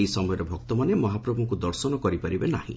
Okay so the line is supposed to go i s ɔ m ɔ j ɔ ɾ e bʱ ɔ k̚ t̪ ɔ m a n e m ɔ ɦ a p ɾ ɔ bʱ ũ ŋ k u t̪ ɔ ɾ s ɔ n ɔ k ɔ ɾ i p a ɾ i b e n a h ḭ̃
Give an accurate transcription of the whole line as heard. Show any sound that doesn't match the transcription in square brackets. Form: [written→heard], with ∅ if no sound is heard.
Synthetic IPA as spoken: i s ɔ m ɔ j ɔ ɾ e bʱ ɔ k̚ t̪ ɔ m a n e m ɔ ɦ a p ɾ ɔ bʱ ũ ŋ k u [t̪→d̪] ɔ ɾ s ɔ n ɔ k ɔ ɾ i p a ɾ i b e n a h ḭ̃